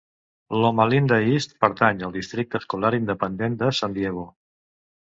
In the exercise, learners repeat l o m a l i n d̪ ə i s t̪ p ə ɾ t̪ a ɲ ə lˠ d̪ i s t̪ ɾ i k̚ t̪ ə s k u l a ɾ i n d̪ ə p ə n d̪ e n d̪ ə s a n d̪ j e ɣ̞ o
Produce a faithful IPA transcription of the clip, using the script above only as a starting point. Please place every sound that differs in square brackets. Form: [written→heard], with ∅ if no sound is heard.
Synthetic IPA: l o m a l i n d̪ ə i s t̪ p ə ɾ t̪ a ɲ ə lˠ d̪ i s t̪ ɾ i k̚ t̪ ə s k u l a ɾ i n d̪ ə p ə n d̪ e n d̪ ə s a n d̪ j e ɣ̞ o

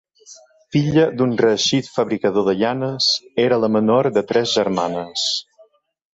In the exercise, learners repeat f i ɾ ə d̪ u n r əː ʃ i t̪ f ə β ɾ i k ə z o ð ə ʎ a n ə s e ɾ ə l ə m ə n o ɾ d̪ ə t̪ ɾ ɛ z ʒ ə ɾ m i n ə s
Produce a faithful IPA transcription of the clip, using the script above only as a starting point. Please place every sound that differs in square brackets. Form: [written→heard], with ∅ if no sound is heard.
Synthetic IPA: f i [ɾ→ʎ] ə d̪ u n r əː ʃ i t̪ f ə β ɾ i k ə [z→ð] o ð ə ʎ a n ə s e ɾ ə l ə m ə n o ɾ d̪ ə t̪ ɾ ɛ z ʒ ə ɾ m [i→a] n ə s

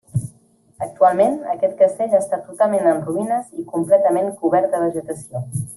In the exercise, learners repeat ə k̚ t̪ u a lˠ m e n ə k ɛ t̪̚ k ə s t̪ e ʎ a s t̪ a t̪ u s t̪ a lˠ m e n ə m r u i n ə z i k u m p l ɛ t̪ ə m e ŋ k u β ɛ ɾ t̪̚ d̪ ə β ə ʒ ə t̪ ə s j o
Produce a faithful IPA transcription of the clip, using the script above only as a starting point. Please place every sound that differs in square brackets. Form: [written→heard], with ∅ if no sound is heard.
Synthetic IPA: ə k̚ t̪ u a lˠ m e n ə k ɛ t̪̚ k ə s t̪ e ʎ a s t̪ a t̪ u [s→∅] t̪ a lˠ m e n ə [m→n] r u i n ə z i k u m p l ɛ t̪ ə m e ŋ k u β ɛ ɾ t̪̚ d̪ ə β ə ʒ ə t̪ ə s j o

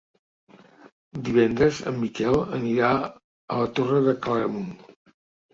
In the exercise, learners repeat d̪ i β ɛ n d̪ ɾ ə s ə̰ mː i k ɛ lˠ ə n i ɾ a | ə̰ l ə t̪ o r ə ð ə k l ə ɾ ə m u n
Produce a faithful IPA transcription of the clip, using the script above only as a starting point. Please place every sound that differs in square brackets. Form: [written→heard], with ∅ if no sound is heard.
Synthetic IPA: d̪ i β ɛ n d̪ ɾ ə [s→z] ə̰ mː i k ɛ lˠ ə n i ɾ a | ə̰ l ə t̪ o r ə ð ə k l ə ɾ ə m u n

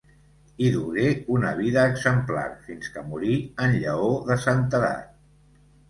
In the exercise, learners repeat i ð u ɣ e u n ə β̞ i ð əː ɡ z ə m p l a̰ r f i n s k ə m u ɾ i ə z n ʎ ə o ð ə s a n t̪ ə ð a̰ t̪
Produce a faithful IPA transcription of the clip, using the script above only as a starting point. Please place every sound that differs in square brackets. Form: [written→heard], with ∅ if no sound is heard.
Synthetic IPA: i ð u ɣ e u n ə β̞ i ð əː ɡ z ə m p l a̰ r f i n s k ə m u ɾ i ə [z→∅] n ʎ ə o ð ə s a n t̪ ə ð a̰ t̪

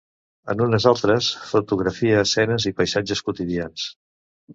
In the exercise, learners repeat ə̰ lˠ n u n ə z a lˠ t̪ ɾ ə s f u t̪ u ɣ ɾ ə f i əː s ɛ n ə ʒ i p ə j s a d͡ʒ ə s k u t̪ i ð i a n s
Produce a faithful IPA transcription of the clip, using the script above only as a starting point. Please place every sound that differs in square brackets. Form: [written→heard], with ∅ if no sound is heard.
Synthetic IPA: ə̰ [lˠ→∅] n u n ə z a lˠ t̪ ɾ ə s f u t̪ u ɣ ɾ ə f i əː s ɛ n ə [ʒ→z] i p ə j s a d͡ʒ ə s k u t̪ i ð i a n s

